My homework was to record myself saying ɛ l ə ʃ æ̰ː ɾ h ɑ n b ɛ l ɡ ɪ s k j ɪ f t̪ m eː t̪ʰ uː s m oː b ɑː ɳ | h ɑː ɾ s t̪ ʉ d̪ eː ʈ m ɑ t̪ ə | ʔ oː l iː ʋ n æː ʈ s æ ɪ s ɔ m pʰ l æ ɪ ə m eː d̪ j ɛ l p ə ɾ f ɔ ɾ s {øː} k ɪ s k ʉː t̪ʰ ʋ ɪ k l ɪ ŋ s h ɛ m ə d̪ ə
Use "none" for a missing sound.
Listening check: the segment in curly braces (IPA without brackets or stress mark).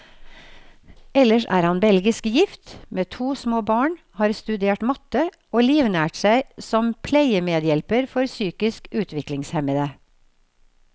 yː